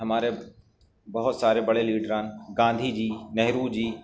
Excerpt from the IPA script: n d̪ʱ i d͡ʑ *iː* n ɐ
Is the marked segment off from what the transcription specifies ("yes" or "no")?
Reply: no